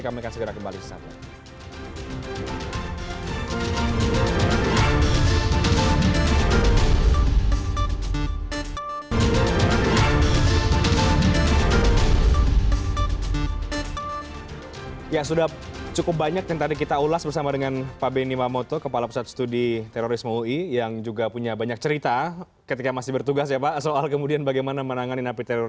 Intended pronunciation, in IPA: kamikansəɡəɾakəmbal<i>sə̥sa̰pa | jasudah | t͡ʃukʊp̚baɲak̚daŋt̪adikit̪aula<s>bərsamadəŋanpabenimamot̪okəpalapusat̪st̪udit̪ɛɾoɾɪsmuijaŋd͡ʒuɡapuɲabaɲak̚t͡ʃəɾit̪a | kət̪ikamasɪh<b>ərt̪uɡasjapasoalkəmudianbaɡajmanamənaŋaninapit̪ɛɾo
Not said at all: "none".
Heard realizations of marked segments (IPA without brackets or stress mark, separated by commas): i, s, b